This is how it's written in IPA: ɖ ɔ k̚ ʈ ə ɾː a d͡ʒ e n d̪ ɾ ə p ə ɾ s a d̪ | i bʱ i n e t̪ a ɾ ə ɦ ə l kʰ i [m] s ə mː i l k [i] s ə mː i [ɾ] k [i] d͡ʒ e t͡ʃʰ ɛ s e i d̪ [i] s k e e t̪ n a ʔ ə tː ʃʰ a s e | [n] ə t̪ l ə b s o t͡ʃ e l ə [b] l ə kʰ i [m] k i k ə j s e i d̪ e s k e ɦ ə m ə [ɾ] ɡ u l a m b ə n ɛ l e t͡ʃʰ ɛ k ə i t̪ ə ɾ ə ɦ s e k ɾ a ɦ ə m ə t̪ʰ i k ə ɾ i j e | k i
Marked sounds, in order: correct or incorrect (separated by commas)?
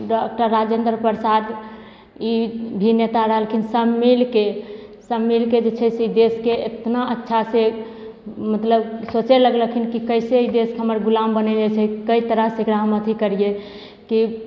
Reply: incorrect, incorrect, incorrect, incorrect, incorrect, incorrect, incorrect, incorrect, correct